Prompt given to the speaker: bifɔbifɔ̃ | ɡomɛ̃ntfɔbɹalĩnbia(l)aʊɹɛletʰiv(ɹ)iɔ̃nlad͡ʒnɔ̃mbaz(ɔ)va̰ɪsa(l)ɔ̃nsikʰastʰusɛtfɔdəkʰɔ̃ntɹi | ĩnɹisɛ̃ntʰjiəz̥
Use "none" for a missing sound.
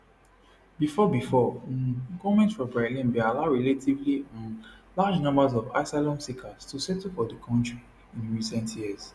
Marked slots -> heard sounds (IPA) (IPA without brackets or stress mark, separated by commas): l, l, ɔ, l